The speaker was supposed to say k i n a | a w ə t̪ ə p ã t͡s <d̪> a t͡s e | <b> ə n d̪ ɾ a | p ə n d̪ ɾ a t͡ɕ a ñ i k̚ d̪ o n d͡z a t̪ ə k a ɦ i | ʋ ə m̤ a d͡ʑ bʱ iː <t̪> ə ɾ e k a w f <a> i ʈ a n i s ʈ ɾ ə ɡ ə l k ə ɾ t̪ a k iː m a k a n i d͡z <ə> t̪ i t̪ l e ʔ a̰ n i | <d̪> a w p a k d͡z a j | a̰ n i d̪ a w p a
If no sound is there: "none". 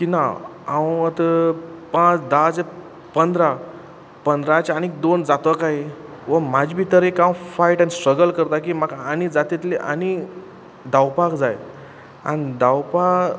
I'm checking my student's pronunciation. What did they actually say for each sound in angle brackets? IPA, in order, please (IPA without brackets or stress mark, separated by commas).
d̪, p, t̪, a, a, d̪